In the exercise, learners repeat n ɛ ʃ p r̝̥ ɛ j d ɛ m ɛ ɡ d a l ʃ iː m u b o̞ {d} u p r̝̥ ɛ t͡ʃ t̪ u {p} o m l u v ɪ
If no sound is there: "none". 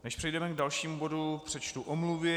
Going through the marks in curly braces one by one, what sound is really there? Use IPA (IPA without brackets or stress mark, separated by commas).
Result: d, ʔ